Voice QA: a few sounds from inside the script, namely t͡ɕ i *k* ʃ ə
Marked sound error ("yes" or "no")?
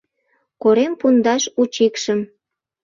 no